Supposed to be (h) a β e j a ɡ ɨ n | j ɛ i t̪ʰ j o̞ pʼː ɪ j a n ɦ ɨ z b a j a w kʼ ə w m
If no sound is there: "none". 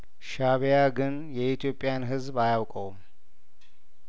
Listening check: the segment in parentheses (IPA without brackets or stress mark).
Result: ʃ